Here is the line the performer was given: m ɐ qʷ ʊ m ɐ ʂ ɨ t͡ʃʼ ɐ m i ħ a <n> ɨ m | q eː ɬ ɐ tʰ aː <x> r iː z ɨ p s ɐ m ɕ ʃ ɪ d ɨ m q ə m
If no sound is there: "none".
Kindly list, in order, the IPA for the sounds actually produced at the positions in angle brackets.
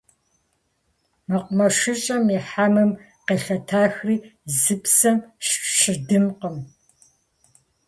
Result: m, x

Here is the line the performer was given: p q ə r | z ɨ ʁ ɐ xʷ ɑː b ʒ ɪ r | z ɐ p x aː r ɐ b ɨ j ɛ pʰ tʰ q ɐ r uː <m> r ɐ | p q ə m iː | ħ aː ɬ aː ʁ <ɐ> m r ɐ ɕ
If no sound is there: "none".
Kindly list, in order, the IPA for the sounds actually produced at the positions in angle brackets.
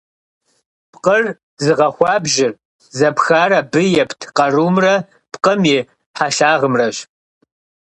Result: m, ə

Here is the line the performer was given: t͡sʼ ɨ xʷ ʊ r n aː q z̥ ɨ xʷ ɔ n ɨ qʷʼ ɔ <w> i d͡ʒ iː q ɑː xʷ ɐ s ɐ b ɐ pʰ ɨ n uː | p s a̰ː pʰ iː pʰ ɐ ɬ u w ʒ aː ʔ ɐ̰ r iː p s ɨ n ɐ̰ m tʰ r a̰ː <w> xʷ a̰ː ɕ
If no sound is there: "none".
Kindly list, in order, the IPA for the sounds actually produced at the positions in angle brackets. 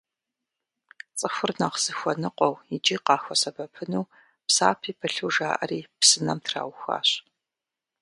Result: w, w

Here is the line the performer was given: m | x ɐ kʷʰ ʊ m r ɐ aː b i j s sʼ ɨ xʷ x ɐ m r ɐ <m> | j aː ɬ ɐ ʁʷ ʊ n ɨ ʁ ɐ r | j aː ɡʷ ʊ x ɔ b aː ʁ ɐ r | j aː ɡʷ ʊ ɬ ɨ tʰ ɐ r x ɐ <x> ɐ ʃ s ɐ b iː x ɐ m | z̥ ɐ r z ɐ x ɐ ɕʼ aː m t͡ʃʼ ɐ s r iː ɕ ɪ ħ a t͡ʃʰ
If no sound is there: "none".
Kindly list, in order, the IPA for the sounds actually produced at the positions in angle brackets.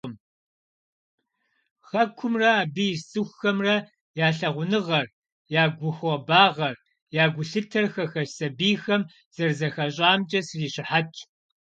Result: none, x

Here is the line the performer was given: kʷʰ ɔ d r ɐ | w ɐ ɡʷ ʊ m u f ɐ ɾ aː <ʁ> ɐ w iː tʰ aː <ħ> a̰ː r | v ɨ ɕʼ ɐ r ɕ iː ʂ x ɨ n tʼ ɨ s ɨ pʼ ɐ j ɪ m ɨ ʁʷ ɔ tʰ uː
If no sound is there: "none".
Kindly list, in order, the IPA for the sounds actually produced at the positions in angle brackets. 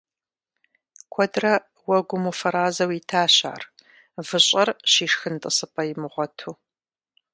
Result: z, ɕ

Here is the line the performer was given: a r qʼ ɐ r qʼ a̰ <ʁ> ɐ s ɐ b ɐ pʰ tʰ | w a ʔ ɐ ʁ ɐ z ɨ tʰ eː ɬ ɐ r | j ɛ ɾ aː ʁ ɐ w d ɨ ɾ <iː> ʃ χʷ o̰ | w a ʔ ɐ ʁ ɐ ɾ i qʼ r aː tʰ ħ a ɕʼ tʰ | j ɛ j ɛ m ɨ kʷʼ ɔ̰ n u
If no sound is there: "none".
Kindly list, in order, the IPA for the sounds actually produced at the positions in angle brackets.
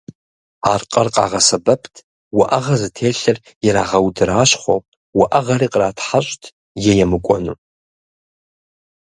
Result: ʁ, aː

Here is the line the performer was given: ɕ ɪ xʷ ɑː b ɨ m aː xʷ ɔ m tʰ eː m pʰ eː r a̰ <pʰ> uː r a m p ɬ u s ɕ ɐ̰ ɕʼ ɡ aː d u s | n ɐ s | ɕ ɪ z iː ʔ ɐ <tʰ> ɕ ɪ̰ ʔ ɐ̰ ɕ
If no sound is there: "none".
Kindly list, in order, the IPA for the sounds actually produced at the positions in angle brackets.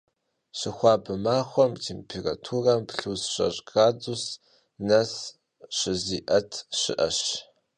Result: tʰ, tʰ

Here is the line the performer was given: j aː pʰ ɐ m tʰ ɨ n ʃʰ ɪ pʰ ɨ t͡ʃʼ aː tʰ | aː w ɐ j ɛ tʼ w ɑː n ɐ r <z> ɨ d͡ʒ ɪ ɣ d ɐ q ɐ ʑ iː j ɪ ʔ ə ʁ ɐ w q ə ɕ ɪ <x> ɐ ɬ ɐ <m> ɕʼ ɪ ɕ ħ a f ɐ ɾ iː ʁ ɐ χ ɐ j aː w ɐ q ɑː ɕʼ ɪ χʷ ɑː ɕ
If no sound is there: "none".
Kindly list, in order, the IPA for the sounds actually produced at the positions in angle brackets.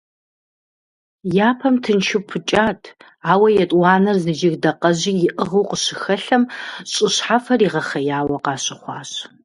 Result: z, x, m

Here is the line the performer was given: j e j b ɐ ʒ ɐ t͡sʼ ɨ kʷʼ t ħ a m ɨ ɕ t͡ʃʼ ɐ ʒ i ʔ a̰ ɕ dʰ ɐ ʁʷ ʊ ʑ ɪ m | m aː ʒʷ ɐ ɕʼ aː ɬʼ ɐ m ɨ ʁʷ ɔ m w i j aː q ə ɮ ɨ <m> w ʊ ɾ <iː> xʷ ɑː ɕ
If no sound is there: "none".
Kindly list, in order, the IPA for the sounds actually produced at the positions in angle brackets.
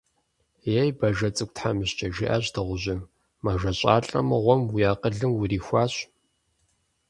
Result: m, iː

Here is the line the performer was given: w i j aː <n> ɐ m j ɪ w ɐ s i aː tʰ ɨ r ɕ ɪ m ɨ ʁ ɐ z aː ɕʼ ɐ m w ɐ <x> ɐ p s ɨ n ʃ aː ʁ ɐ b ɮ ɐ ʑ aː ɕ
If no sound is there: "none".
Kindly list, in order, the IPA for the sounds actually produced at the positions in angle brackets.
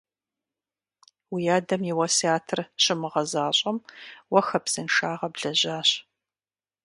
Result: d, x

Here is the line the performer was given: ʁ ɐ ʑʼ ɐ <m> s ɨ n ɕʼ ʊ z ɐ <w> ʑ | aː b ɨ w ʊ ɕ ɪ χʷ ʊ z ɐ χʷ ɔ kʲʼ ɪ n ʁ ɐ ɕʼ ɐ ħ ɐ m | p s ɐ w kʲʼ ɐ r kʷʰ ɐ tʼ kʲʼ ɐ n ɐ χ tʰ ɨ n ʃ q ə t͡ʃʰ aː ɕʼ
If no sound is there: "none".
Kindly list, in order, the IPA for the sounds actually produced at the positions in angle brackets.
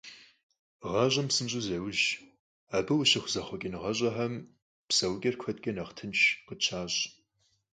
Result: m, w

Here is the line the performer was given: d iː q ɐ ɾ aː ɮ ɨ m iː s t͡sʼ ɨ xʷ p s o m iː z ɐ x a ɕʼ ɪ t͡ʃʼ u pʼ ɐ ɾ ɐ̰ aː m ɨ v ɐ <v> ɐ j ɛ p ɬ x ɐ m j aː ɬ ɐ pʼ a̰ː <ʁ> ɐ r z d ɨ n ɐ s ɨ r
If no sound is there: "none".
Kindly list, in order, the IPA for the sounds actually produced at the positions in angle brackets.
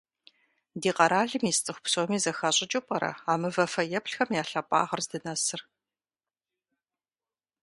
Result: f, ʁ

